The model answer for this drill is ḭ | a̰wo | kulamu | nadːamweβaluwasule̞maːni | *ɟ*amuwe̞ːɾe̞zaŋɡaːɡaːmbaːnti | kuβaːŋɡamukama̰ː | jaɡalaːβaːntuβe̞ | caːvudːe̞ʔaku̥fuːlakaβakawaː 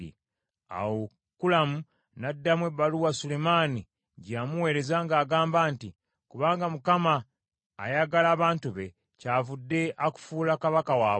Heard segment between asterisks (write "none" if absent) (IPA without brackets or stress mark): ɟ